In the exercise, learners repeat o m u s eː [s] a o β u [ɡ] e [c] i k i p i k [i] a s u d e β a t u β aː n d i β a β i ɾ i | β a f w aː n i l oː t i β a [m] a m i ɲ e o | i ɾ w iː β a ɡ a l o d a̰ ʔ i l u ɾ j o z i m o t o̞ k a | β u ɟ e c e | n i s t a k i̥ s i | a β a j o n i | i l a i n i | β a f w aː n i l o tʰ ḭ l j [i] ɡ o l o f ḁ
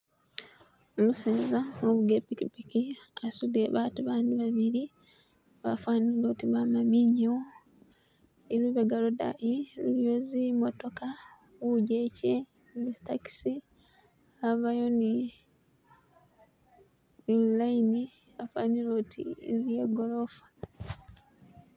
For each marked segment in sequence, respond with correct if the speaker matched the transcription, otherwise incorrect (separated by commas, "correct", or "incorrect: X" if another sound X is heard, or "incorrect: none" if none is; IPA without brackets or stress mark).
incorrect: z, correct, incorrect: p, correct, correct, incorrect: e